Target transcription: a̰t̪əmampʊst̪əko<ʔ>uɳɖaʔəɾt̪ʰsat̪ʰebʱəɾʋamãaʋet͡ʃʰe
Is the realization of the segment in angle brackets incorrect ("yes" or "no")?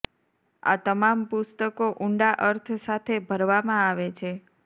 no